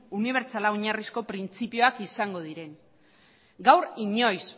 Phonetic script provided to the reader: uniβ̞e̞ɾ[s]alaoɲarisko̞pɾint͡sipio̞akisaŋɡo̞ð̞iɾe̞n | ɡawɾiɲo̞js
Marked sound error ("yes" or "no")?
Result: yes